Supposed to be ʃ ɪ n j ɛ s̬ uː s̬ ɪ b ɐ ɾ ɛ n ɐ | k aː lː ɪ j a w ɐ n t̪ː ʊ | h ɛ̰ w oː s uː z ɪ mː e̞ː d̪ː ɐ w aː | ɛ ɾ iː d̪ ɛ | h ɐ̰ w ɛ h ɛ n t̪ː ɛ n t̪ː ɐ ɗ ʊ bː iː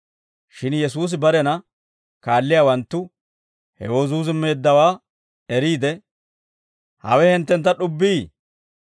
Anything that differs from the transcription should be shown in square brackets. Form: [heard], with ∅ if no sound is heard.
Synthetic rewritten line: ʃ ɪ n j ɛ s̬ uː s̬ ɪ b ɐ ɾ ɛ n ɐ | k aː lː ɪ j a w ɐ n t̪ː ʊ | h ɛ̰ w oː [z] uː z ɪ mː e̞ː d̪ː ɐ w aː | ɛ ɾ iː d̪ ɛ | h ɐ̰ w ɛ h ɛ n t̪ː ɛ n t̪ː ɐ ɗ ʊ bː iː

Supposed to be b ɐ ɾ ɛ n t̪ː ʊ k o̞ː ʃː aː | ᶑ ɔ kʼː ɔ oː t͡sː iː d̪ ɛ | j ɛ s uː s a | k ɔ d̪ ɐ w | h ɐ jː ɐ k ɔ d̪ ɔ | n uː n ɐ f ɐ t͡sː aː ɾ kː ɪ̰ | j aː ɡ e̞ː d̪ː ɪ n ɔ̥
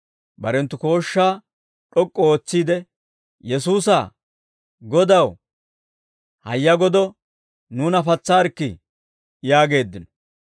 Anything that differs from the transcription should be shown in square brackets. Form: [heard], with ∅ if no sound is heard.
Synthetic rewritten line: b ɐ ɾ ɛ n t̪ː ʊ k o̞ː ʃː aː | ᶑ ɔ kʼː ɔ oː t͡sː iː d̪ ɛ | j ɛ s uː s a | [ɡ] ɔ d̪ ɐ w | h ɐ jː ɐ [ɡ] ɔ d̪ ɔ | n uː n ɐ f ɐ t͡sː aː ɾ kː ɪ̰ | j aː ɡ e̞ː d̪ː ɪ n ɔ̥

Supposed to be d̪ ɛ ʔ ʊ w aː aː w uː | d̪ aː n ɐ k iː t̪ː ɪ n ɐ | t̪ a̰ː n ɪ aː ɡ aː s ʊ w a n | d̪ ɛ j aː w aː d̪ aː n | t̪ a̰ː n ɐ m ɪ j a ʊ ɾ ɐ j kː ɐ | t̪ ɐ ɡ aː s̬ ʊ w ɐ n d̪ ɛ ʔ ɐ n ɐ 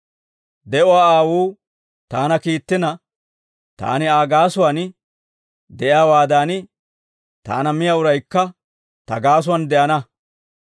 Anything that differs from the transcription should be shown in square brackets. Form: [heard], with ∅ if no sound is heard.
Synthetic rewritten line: d̪ ɛ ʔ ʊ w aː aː w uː | [t̪] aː n ɐ k iː t̪ː ɪ n ɐ | t̪ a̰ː n ɪ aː ɡ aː s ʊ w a n | d̪ ɛ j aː w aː d̪ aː n | t̪ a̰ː n ɐ m ɪ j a ʊ ɾ ɐ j kː ɐ | t̪ ɐ ɡ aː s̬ ʊ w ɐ n d̪ ɛ ʔ ɐ n ɐ

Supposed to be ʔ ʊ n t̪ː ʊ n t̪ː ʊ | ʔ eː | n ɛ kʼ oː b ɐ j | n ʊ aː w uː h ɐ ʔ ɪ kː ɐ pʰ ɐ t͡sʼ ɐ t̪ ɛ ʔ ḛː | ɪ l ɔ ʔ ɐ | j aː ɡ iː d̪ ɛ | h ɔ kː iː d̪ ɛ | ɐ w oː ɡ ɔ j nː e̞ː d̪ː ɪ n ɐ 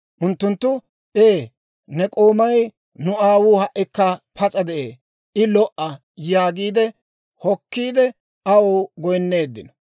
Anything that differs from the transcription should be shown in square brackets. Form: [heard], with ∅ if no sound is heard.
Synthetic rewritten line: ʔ ʊ n t̪ː ʊ n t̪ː ʊ | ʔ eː | n ɛ kʼ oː [m] ɐ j | n ʊ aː w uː h ɐ ʔ ɪ kː ɐ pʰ ɐ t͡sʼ ɐ [d̪] ɛ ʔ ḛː | ɪ l ɔ ʔ ɐ | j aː ɡ iː d̪ ɛ | h ɔ kː iː d̪ ɛ | ɐ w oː ɡ ɔ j nː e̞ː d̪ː ɪ n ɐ

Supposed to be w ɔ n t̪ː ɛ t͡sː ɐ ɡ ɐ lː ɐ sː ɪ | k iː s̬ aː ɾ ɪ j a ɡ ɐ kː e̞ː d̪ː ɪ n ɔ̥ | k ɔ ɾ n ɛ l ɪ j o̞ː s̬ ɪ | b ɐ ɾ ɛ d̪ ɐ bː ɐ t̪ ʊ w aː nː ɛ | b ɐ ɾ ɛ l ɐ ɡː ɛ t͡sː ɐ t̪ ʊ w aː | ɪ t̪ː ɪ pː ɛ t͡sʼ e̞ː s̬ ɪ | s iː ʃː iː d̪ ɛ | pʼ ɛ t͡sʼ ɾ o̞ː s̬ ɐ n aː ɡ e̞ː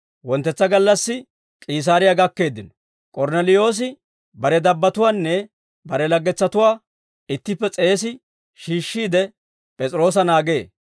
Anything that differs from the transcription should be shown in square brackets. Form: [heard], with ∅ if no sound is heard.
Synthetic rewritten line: w ɔ n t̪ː ɛ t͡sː ɐ ɡ ɐ lː ɐ sː ɪ | [kʼ] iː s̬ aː ɾ ɪ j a ɡ ɐ kː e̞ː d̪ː ɪ n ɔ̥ | [kʼ] ɔ ɾ n ɛ l ɪ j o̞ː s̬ ɪ | b ɐ ɾ ɛ d̪ ɐ bː ɐ t̪ ʊ w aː nː ɛ | b ɐ ɾ ɛ l ɐ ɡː ɛ t͡sː ɐ t̪ ʊ w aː | ɪ t̪ː ɪ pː ɛ t͡sʼ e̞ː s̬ ɪ | [ʃ] iː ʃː iː d̪ ɛ | pʼ ɛ t͡sʼ ɾ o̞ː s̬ ɐ n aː ɡ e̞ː

